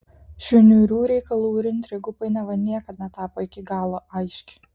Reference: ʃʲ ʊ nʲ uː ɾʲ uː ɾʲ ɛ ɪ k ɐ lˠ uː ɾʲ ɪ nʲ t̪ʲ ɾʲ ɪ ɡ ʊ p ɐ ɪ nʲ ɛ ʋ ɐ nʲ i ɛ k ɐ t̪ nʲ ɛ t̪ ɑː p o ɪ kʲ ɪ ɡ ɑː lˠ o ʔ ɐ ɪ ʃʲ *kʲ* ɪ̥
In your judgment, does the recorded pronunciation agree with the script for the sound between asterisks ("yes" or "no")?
yes